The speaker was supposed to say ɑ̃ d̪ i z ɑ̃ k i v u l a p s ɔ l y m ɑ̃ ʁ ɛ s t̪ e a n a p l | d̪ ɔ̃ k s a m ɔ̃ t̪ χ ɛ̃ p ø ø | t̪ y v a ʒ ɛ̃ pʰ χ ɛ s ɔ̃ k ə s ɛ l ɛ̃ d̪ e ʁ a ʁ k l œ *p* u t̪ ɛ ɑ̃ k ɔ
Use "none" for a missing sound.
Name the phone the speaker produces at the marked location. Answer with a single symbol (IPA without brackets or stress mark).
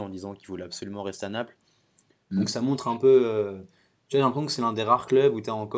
b